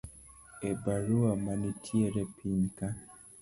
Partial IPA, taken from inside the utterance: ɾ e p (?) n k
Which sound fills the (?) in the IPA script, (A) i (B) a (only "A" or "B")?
A